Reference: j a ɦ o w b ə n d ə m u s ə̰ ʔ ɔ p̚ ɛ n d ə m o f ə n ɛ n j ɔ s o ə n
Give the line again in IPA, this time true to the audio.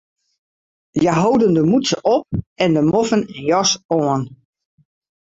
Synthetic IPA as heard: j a ɦ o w d ə n d ə m u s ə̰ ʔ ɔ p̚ ɛ n d ə m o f ə n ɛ n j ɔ s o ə n